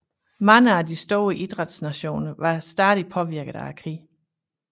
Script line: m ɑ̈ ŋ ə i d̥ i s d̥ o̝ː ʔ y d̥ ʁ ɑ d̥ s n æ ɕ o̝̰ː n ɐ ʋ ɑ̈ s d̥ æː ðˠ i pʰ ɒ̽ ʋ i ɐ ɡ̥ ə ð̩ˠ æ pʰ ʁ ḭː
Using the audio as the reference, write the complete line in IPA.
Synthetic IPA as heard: m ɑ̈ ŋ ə æ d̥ i s d̥ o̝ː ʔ i d̥ ʁ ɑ d̥ s n æ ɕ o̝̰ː n ɐ ʋ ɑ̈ s d̥ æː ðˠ i pʰ ɒ̽ ʋ i ɐ ɡ̥ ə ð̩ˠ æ kʰ ʁ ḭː